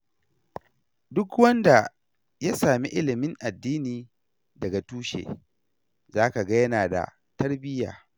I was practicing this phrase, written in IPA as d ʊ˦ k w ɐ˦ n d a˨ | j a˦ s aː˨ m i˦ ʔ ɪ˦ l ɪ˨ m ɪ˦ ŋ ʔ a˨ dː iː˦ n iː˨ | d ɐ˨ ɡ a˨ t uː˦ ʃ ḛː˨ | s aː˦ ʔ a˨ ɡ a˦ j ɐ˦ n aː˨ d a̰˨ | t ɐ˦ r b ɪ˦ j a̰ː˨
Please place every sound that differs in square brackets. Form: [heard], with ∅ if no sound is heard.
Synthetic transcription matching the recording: d ʊ˦ k w ɐ˦ n d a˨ | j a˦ s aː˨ m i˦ ʔ ɪ˦ l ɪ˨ m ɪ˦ ŋ ʔ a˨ dː iː˦ n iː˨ | d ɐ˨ ɡ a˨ t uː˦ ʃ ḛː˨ | [z] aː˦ [k] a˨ ɡ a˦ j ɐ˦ n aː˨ d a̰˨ | t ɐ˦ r b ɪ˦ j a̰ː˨